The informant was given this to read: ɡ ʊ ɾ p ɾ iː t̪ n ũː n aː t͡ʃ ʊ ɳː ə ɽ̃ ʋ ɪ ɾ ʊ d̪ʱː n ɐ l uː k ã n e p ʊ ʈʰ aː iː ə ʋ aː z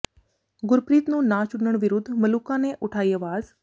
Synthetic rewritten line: ɡ ʊ ɾ p ɾ iː t̪ n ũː n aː t͡ʃ ʊ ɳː ə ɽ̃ ʋ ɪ ɾ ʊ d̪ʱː m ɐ l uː k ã n e ʔ ʊ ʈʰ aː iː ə ʋ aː z